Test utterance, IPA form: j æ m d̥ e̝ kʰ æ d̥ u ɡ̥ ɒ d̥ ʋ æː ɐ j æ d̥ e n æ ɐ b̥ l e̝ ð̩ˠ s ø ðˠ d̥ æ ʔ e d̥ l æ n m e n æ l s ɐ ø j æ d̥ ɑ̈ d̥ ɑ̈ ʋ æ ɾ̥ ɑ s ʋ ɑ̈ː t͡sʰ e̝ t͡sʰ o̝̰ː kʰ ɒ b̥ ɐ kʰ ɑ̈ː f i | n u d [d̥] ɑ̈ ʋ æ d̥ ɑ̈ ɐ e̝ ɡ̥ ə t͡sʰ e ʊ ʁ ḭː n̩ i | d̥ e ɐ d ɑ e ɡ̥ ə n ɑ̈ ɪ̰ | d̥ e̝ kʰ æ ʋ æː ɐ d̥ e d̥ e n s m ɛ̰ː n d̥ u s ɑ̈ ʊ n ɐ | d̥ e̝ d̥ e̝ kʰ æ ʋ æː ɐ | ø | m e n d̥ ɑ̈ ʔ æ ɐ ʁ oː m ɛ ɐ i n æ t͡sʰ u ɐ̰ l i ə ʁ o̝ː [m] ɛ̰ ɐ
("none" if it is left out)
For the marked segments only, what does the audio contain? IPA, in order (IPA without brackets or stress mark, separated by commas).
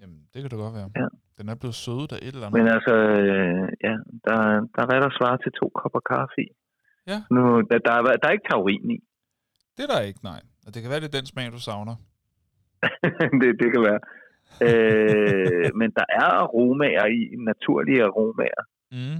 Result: d̥, m